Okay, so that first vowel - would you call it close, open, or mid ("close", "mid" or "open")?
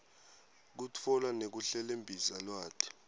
close